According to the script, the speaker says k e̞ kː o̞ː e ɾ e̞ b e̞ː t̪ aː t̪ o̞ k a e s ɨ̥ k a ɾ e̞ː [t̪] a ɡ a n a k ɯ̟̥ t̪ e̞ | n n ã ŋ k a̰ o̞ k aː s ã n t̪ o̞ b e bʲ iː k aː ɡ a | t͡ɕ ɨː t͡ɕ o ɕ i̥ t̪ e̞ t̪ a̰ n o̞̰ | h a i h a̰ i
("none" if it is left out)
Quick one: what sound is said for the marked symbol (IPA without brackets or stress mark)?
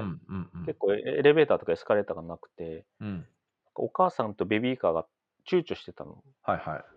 t̪